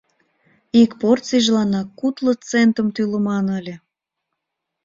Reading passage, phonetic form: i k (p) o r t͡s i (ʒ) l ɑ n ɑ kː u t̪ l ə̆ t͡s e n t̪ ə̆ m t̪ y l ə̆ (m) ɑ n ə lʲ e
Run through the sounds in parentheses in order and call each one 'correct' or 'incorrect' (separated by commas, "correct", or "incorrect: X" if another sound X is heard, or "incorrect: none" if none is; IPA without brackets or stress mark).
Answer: correct, correct, correct